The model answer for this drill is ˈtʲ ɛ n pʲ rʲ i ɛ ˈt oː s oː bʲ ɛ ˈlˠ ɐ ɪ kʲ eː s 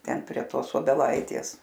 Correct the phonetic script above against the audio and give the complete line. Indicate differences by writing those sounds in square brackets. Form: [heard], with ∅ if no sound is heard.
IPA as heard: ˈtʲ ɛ n pʲ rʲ i ɛ ˈt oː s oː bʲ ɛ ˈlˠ ɐ ɪ [tʲ] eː s